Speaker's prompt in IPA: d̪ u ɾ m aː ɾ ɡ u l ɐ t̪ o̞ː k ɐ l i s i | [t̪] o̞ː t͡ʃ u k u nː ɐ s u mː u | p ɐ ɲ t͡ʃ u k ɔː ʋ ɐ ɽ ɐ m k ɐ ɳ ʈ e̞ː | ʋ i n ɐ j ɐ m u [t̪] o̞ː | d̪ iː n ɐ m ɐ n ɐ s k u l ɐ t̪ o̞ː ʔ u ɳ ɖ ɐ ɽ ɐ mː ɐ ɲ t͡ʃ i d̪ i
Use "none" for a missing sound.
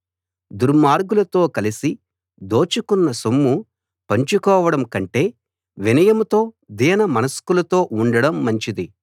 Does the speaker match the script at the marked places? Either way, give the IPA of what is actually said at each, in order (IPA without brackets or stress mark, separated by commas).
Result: d̪, t̪